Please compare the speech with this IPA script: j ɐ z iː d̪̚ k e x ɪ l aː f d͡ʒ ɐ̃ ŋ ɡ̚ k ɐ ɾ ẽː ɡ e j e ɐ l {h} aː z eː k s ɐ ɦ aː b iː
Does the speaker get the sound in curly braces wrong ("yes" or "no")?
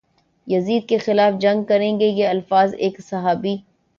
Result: yes